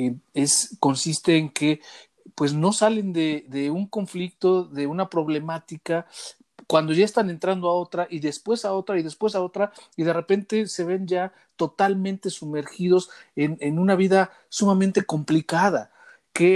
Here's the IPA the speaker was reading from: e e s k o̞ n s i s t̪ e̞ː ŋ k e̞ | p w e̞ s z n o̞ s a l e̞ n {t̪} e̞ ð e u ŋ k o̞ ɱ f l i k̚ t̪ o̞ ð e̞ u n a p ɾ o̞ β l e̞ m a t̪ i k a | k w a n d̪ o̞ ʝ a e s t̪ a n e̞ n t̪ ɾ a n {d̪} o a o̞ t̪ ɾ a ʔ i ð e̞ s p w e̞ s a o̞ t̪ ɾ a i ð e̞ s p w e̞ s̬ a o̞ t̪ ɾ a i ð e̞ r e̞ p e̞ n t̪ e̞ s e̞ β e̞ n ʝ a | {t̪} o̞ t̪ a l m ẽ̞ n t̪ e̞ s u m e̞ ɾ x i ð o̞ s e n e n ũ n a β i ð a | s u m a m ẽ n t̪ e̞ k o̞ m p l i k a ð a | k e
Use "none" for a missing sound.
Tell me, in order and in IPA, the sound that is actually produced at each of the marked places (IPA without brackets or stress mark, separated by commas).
d̪, d̪, t̪